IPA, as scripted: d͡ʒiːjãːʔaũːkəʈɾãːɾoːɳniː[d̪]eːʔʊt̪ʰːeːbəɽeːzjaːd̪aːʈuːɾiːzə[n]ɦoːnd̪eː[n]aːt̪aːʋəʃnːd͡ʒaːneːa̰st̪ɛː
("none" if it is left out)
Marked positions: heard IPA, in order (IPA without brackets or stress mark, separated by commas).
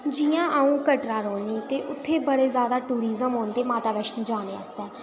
t̪, m, m